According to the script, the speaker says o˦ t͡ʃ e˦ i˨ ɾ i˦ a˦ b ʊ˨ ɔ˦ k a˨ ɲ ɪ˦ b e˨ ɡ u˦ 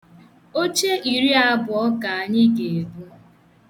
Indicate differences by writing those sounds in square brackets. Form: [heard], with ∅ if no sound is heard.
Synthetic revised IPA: o˦ t͡ʃ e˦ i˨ ɾ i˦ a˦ b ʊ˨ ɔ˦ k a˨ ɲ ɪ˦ [ɡ] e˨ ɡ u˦